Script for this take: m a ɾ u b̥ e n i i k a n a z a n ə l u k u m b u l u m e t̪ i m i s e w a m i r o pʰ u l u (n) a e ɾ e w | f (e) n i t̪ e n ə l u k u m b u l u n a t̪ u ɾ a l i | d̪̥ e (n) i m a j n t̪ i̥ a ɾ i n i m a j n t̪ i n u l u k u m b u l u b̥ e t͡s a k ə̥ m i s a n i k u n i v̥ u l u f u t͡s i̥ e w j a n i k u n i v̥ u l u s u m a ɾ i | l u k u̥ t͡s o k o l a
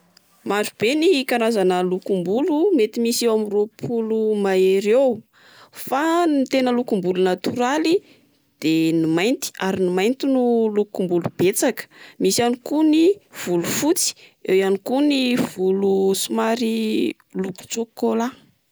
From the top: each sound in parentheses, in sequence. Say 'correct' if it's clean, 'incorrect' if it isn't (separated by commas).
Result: incorrect, incorrect, correct